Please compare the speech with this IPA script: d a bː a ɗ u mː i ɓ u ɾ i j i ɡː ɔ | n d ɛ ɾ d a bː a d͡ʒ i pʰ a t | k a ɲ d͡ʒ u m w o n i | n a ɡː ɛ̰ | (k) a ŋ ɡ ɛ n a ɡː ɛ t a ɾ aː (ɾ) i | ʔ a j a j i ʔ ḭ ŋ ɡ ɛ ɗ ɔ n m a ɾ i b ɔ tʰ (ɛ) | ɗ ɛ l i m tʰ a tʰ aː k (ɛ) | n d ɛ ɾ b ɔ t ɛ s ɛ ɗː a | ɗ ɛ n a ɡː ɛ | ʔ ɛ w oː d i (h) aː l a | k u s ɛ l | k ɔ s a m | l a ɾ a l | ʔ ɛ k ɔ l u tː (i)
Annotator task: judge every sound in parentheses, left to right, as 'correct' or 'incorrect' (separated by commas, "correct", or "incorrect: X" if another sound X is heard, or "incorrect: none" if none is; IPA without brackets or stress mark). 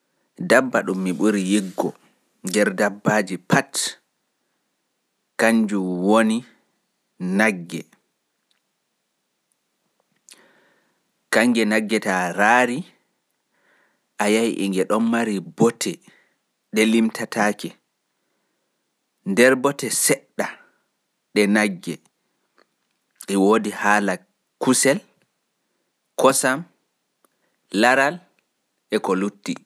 correct, correct, correct, correct, correct, correct